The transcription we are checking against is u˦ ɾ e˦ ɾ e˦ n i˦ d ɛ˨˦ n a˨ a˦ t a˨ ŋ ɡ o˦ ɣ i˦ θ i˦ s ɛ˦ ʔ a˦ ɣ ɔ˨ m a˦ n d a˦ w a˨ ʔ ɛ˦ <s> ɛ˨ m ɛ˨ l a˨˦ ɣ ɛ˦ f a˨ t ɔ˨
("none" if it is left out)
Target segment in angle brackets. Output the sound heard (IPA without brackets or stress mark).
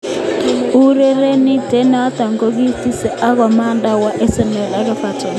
s